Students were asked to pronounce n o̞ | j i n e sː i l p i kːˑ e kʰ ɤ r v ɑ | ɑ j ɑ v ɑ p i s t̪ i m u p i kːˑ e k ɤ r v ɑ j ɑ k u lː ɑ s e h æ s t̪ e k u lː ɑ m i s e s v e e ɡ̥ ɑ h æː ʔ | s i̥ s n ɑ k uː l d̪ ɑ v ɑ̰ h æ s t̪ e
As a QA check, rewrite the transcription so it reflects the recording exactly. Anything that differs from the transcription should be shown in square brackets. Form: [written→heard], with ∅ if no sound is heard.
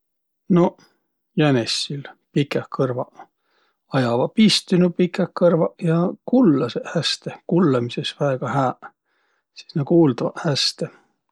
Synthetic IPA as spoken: n o̞ | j [i→æ] n e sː i l p i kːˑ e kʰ ɤ r v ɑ | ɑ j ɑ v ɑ p i s t̪ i [m→n] u p i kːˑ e k ɤ r v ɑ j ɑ k u lː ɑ s e h æ s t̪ e k u lː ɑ m i s e s v [e→æ] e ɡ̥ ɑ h æː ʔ | s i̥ s n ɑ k uː l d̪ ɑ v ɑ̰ h æ s t̪ e